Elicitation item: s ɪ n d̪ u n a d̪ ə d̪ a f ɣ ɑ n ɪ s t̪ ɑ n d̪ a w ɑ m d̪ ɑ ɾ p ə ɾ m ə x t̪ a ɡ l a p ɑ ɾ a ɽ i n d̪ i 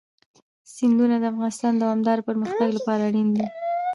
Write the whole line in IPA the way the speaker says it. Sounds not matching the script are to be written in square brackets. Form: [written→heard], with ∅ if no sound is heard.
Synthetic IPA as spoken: s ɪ n d̪ u n a d̪ ə [d̪→∅] a f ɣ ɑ n ɪ s t̪ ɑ n d̪ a w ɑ m d̪ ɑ ɾ p ə ɾ m ə x t̪ a ɡ l a p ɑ ɾ a ɽ i n d̪ i